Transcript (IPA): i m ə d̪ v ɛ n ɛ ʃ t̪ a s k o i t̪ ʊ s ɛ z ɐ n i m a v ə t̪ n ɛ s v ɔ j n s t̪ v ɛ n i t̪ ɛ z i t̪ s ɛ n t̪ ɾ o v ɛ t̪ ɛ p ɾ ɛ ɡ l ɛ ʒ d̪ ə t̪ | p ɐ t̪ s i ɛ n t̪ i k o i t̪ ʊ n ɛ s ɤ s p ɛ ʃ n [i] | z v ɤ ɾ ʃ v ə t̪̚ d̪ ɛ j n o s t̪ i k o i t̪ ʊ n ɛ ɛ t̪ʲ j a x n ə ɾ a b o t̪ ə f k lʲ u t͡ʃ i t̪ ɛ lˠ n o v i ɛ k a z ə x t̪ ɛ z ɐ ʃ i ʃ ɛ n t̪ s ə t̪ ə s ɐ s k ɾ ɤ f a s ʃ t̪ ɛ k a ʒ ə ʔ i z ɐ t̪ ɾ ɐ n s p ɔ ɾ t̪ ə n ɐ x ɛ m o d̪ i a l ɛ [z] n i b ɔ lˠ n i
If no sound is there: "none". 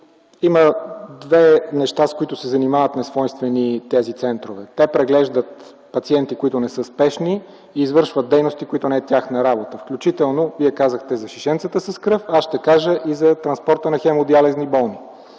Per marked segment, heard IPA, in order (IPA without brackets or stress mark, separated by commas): iː, z